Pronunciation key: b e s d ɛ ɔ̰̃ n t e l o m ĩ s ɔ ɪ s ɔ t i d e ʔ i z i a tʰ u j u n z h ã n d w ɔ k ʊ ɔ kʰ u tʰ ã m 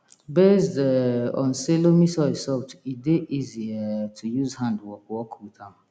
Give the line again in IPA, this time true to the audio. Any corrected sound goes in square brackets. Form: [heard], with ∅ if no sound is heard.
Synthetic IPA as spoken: b e s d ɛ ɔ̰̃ n [s] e l o m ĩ s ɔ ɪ s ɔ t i d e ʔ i z i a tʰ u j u [∅] z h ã n d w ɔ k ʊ ɔ kʰ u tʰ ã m